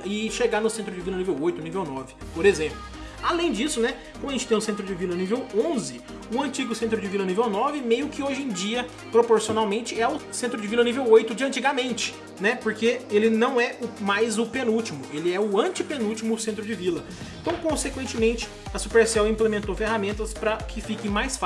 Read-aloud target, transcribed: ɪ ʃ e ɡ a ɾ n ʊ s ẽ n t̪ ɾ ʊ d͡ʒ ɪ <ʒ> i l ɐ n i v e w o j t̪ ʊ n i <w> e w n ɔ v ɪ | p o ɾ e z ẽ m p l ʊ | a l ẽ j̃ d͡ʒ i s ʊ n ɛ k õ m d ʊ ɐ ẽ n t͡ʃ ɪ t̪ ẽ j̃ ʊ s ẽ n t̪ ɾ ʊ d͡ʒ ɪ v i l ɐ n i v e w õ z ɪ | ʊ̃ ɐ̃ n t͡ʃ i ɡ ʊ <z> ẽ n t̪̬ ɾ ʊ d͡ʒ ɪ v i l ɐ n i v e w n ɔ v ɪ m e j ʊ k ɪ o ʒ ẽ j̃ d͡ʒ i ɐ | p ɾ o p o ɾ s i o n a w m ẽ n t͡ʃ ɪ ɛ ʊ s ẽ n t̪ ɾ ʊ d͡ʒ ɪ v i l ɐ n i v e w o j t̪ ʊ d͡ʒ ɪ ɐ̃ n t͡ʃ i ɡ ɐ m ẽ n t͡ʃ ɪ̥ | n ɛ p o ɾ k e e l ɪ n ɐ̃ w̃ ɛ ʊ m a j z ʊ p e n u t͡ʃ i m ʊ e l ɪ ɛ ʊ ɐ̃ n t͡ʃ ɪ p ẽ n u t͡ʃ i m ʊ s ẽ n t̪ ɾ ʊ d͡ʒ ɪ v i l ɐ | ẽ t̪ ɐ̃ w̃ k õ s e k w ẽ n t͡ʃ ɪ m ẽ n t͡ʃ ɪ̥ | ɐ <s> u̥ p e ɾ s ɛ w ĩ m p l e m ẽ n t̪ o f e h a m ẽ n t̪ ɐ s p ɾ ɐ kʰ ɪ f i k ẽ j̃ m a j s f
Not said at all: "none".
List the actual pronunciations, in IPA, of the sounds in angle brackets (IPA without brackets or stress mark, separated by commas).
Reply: v, v, s, s